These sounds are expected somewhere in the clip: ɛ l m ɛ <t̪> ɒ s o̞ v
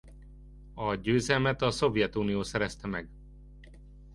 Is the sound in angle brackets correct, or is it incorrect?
correct